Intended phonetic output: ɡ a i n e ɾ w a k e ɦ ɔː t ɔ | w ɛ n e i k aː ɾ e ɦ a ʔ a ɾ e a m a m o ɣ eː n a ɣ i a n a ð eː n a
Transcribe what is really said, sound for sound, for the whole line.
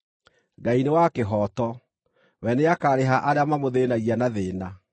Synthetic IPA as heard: ɡ a i n e w a k e ɦ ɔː t ɔ | w ɛ n e a k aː ɾ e ɦ a ʔ a ɾ e a m a m o ð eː n a ɣ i a n a ð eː n a